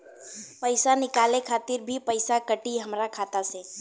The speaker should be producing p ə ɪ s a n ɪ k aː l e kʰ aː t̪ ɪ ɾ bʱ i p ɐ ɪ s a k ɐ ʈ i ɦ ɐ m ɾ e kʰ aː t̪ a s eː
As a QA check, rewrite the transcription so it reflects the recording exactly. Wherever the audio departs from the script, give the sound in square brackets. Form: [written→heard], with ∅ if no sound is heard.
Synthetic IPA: p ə ɪ s a n ɪ k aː l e kʰ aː t̪ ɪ ɾ bʱ i p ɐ ɪ s a k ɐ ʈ i ɦ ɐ m ɾ [e→a] kʰ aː t̪ a s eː